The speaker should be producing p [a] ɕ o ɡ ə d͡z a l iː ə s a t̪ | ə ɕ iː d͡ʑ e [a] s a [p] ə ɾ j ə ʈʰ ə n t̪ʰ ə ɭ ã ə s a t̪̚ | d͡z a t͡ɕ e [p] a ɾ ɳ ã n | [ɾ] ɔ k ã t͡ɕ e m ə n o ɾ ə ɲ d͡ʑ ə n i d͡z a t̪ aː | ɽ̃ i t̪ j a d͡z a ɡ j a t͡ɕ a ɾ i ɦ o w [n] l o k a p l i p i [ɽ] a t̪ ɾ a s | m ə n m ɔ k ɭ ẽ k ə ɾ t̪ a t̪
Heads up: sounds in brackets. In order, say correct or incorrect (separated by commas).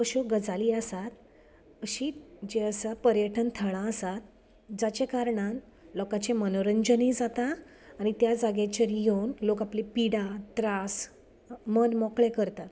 incorrect, incorrect, correct, incorrect, incorrect, correct, correct